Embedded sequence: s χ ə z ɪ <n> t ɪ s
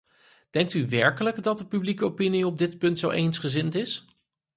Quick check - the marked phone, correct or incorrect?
correct